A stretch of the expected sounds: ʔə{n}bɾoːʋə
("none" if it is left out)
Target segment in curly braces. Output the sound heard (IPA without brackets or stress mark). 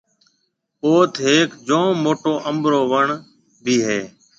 m